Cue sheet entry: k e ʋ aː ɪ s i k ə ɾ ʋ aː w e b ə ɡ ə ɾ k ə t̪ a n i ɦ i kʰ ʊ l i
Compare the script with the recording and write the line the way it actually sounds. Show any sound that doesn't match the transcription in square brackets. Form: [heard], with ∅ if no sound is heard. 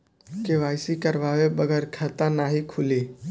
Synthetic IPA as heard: k e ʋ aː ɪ s i k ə ɾ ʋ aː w e b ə ɡ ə ɾ [kʰ] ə t̪ a n [a] ɦ i kʰ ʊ l i